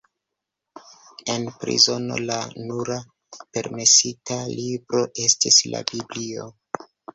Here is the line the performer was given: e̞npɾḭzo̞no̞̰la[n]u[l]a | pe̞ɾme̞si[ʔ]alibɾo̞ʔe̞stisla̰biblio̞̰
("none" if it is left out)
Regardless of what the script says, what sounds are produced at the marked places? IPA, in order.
n, ɾ, t

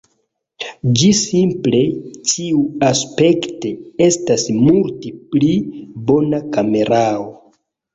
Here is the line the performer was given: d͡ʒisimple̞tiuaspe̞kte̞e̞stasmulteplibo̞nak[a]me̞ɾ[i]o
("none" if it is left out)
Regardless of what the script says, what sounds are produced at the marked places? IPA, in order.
a, a

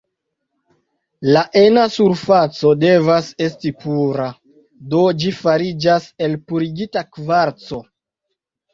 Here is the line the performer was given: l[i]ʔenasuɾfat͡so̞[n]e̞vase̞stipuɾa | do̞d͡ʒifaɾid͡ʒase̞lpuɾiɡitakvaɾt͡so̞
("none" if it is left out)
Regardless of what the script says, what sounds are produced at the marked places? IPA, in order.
a, d

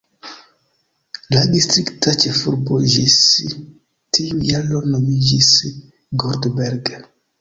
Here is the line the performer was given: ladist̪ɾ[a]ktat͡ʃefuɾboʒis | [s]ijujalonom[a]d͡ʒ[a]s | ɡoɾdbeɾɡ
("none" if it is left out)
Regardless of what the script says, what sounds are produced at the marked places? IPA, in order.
i, t, i, i

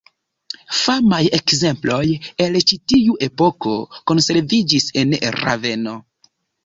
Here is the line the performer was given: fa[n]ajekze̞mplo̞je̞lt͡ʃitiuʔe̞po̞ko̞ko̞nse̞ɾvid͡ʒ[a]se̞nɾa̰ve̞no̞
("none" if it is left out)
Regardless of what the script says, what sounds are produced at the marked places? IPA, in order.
m, i

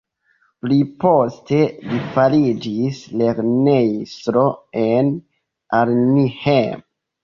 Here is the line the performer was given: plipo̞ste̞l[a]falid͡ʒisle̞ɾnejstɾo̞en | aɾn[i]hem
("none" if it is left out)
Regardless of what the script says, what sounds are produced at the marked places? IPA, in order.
i, i

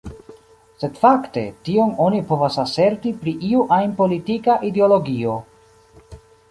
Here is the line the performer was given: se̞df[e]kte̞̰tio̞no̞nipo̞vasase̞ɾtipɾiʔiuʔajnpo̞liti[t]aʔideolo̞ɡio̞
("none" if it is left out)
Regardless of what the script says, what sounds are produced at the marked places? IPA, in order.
a, k

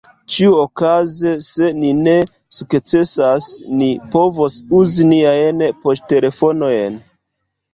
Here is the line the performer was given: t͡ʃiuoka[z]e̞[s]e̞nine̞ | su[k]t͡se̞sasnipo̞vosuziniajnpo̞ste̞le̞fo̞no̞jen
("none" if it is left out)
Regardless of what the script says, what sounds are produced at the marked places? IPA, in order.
z, s, k

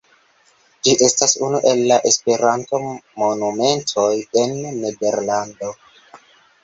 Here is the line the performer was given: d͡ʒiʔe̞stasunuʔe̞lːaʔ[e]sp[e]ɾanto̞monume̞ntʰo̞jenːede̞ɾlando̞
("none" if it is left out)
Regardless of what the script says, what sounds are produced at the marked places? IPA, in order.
e, e

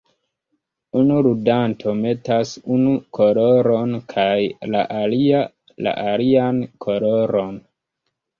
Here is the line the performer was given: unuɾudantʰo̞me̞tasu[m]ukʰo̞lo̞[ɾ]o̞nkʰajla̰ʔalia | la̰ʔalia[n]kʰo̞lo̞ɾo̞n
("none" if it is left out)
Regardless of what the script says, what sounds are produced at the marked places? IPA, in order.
n, ɾ, n

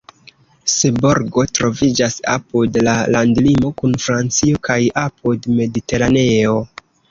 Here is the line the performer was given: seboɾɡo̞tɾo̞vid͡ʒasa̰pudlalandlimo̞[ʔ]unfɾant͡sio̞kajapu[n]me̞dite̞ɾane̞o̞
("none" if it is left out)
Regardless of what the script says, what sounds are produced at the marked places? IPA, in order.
k, d

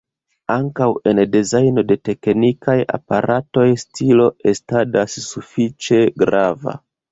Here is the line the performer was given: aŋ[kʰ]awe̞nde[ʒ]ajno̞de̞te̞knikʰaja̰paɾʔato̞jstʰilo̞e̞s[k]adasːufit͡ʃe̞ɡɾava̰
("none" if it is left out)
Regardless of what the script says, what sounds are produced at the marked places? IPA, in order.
k, z, t

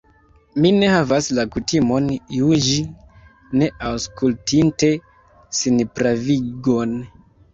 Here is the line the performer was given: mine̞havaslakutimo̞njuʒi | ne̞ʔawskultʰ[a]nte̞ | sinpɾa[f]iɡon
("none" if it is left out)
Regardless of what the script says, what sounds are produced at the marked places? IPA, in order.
i, v

